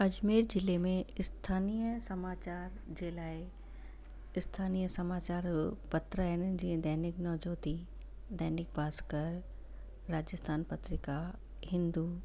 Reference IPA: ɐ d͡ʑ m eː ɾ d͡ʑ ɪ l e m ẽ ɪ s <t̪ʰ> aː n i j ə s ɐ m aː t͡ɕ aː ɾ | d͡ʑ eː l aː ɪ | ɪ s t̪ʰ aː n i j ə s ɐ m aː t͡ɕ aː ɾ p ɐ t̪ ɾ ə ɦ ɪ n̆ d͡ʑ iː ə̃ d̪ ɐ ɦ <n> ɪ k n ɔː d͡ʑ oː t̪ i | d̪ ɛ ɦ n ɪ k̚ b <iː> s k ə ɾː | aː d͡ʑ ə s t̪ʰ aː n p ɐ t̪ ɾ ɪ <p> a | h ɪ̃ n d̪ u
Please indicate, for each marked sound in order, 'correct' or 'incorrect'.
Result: correct, correct, incorrect, incorrect

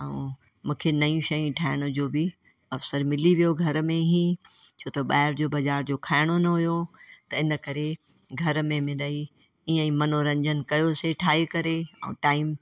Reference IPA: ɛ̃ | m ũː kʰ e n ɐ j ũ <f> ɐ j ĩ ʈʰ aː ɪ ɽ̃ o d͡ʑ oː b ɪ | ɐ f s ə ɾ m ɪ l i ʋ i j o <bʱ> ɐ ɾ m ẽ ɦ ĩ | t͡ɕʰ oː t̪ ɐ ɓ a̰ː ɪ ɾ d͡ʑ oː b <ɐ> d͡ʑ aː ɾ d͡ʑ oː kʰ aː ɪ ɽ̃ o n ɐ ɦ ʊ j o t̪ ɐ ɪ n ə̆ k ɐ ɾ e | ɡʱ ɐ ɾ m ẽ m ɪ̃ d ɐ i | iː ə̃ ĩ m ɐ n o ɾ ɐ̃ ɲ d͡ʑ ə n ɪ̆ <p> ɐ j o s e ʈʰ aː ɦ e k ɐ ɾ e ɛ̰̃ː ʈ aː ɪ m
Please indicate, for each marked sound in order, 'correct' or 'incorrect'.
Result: incorrect, incorrect, correct, incorrect

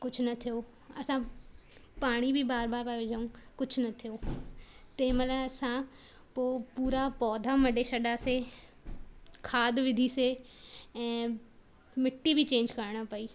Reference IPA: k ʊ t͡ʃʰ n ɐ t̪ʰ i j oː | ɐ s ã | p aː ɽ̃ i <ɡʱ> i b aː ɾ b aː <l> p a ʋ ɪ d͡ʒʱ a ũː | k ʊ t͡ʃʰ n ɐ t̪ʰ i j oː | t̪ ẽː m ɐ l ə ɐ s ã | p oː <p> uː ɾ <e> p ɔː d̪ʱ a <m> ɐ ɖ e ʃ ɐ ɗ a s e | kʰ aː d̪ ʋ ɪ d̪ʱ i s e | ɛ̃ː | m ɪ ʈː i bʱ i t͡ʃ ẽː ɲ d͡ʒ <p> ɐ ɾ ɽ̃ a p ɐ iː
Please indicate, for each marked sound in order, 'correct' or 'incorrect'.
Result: incorrect, incorrect, correct, incorrect, correct, incorrect

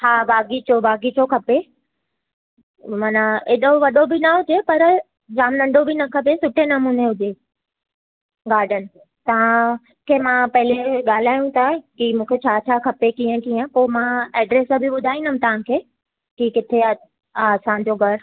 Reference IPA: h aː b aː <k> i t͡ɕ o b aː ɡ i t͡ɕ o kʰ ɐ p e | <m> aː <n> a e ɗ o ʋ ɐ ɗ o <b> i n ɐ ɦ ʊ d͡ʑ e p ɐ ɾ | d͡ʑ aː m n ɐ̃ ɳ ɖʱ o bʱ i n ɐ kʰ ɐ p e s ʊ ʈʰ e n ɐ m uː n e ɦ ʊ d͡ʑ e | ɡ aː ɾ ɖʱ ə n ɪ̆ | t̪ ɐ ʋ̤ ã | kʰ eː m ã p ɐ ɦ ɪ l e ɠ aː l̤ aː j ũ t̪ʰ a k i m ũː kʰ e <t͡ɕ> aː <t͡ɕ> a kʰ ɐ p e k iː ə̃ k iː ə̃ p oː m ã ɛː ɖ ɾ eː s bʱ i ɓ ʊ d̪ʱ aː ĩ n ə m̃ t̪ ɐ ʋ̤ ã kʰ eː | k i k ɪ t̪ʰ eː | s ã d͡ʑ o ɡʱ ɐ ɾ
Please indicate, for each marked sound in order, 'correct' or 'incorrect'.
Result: incorrect, correct, correct, correct, incorrect, incorrect

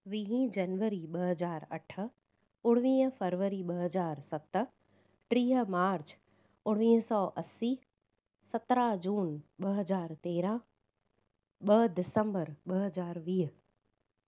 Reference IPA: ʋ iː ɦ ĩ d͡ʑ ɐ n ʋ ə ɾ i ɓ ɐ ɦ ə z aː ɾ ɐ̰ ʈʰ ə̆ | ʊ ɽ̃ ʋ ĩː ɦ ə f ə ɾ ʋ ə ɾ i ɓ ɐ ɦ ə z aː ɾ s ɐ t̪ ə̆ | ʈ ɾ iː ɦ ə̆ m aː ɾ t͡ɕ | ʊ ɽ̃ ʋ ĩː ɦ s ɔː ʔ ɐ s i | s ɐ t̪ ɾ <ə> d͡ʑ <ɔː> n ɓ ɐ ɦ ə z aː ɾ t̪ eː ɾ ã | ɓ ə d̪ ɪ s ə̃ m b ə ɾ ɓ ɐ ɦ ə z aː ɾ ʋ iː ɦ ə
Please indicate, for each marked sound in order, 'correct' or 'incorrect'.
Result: incorrect, incorrect

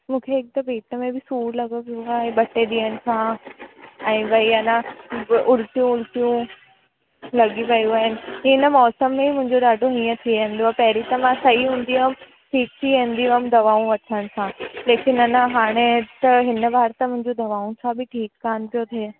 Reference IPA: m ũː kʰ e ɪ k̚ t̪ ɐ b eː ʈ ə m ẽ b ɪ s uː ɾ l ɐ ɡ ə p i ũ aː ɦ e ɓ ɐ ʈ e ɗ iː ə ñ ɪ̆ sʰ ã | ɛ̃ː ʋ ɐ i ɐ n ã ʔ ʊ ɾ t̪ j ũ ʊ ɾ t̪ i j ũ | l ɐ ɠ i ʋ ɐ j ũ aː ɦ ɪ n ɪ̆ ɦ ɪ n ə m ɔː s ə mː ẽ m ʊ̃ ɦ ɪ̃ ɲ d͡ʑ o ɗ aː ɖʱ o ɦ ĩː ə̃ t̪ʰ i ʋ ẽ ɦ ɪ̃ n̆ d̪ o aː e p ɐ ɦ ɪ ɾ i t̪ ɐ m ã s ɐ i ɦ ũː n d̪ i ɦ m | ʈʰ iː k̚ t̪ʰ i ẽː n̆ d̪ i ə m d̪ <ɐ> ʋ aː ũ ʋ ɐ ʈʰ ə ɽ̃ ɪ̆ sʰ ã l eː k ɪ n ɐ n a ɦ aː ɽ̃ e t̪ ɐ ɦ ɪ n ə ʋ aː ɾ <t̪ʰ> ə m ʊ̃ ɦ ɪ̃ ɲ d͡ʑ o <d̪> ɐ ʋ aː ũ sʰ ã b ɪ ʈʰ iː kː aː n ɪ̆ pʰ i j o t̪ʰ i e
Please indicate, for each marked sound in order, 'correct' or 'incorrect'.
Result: correct, incorrect, correct

